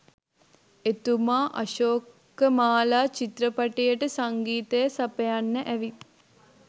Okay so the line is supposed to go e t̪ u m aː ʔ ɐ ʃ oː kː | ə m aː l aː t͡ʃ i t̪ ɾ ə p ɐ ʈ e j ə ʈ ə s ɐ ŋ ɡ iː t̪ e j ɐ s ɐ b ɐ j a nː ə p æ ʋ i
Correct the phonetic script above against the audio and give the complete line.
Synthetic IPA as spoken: e t̪ u m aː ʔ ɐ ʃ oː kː | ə m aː l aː t͡ʃ i t̪ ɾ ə p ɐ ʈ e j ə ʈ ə s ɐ ŋ ɡ iː t̪ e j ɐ s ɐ p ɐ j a nː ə ʔ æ ʋ i